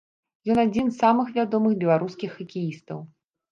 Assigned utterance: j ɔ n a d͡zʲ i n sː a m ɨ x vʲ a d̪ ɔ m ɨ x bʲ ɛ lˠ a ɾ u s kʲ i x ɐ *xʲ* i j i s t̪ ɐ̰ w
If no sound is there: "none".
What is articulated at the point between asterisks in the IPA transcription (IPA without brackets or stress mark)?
kʲ